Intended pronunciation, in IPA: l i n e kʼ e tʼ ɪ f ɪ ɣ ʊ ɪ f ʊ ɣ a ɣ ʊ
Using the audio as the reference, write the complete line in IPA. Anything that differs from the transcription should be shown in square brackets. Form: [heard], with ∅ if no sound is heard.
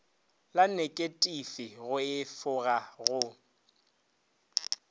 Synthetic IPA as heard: l [a] n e kʼ e tʼ [i] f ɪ ɣ ʊ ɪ f ʊ ɣ a ɣ ʊ